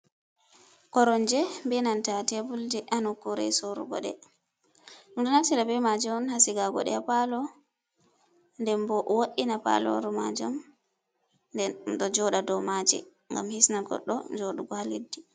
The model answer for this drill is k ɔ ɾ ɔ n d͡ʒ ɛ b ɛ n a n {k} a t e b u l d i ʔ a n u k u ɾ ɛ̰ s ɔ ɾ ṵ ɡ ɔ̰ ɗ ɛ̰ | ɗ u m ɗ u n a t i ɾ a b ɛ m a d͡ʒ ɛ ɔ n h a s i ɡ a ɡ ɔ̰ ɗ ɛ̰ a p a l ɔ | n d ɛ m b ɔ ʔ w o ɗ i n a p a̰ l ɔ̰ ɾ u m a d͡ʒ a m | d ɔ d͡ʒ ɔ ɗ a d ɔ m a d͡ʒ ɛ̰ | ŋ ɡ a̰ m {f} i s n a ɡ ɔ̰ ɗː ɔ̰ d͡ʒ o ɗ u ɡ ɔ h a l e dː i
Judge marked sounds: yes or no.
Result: no, no

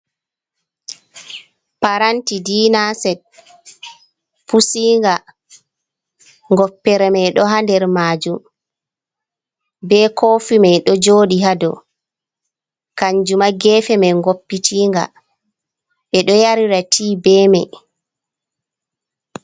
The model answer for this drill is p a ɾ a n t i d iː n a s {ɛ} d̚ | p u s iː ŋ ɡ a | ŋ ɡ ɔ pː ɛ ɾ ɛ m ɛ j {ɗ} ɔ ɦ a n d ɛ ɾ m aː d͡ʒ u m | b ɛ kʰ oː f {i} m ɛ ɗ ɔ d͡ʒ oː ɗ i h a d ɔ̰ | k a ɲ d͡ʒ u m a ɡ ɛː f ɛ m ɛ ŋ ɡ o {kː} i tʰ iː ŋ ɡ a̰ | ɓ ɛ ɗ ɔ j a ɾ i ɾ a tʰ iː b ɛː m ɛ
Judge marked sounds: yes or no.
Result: yes, yes, yes, no

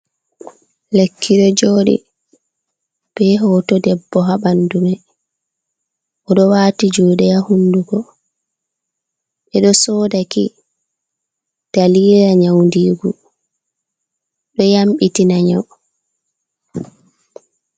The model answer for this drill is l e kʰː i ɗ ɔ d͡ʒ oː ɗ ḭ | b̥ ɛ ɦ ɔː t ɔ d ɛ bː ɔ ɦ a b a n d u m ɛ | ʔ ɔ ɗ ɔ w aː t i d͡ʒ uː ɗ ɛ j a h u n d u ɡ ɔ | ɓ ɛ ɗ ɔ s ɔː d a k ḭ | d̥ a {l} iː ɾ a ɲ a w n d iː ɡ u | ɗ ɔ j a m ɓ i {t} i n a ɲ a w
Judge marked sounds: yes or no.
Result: yes, yes

